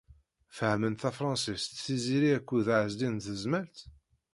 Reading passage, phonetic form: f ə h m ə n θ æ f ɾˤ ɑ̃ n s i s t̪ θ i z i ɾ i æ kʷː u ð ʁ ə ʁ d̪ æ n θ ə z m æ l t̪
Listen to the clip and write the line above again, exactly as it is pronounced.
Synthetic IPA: f ə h m ə n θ æ f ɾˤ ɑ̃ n s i s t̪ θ i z i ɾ i æ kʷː u ð ʕ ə z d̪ i n θ ə z m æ l t̪